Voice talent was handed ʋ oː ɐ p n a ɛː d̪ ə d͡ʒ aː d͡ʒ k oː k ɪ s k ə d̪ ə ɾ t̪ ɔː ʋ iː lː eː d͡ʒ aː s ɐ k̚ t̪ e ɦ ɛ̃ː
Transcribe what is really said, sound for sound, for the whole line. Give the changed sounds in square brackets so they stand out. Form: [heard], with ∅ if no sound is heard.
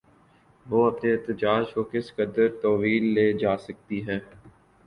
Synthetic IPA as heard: ʋ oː ɐ p n [e] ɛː [t̪] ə d͡ʒ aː d͡ʒ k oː k ɪ s k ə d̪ ə ɾ t̪ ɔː ʋ iː lː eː d͡ʒ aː s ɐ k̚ t̪ [i] ɦ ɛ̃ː

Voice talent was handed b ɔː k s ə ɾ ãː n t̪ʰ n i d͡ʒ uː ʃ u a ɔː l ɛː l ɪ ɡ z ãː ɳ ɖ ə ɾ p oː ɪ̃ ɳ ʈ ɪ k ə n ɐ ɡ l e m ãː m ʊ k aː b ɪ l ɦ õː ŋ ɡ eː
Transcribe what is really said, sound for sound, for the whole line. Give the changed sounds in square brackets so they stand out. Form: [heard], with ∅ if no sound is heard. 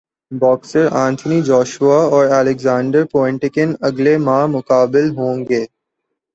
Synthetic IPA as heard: b ɔː k s ə ɾ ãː n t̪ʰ n i d͡ʒ [ɔː] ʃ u a ɔː [ɾ] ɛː l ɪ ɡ z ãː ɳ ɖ ə ɾ p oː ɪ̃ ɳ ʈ ɪ k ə n ɐ ɡ l e m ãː m ʊ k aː b ɪ l ɦ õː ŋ ɡ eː

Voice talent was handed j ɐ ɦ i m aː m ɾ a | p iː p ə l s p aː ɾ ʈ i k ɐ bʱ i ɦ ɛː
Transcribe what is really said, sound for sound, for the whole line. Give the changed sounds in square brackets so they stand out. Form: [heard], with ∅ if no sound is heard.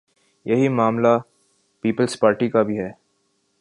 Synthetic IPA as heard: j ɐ ɦ i m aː m [l] a | p iː p ə l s p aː ɾ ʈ i k [a] bʱ i ɦ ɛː

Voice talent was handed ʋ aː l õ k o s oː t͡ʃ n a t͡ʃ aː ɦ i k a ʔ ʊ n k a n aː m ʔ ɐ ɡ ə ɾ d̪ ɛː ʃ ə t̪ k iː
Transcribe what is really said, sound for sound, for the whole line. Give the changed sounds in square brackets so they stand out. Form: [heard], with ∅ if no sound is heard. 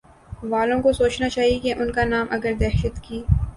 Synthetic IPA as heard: ʋ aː l õ k o s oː t͡ʃ n a t͡ʃ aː ɦ i k [e] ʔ ʊ n k a n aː m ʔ ɐ ɡ ə ɾ d̪ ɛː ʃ ə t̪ k iː

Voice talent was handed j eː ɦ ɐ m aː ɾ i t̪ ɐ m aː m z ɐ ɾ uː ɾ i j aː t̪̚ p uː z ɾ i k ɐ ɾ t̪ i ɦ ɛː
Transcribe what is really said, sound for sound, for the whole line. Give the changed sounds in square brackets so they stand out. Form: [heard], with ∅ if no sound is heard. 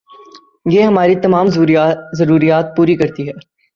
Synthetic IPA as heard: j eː ɦ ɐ m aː ɾ i t̪ ɐ m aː m z ɐ ɾ uː ɾ i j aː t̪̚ p uː [∅] ɾ i k ɐ ɾ t̪ i ɦ ɛː

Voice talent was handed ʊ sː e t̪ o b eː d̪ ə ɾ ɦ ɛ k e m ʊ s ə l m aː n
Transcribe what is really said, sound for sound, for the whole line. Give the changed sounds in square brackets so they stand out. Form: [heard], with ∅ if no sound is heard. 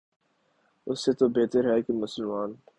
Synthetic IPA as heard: ʊ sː e t̪ o b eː [t̪] ə ɾ ɦ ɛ k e m ʊ s ə l m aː n

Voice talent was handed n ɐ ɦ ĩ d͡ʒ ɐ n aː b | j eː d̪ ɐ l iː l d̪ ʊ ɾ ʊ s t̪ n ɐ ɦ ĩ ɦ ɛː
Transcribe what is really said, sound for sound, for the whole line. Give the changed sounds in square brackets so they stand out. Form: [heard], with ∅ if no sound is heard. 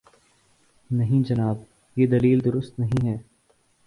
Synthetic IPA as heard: n ɐ ɦ ĩ d͡ʒ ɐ n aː b | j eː d̪ ɐ l iː l d̪ ʊ ɾ ʊ s t̪ n ɐ ɦ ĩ ɦ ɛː

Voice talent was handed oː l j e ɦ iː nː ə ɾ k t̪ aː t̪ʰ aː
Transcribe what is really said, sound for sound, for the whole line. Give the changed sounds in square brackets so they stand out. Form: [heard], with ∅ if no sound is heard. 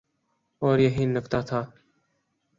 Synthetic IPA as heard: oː [ɾ] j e ɦ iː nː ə [∅] k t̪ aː t̪ʰ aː

